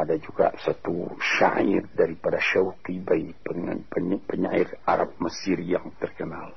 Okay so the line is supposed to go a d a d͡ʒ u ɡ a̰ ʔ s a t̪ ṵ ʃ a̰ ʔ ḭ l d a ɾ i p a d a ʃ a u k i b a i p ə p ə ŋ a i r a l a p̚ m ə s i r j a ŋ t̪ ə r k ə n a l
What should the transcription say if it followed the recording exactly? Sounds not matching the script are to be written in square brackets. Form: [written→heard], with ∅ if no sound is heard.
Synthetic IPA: a d a d͡ʒ u ɡ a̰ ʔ s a t̪ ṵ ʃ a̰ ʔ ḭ [l→r] d a ɾ i p a d a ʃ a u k i b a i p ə p ə [ŋ→ɲ] a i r a [l→ɾ] a p̚ m ə s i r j a ŋ t̪ ə r k ə n a l